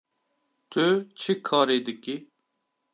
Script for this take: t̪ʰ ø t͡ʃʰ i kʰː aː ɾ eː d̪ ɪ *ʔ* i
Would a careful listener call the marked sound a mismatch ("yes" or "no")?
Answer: yes